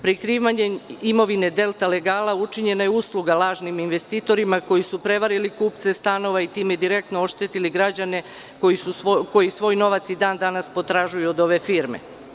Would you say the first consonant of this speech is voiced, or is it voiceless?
voiceless